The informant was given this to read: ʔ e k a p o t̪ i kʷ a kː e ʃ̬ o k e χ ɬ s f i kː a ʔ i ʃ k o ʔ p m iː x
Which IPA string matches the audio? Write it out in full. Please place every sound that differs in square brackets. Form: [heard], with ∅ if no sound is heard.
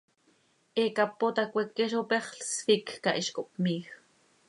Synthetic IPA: ʔ e k a p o t̪ [a] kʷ [e] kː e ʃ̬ o [p] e χ ɬ s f i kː a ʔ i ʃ k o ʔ p m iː x